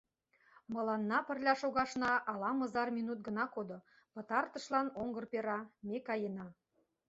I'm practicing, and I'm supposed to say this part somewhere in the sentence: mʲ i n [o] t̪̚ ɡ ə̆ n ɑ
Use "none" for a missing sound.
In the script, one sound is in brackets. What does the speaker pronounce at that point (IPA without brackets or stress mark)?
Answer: u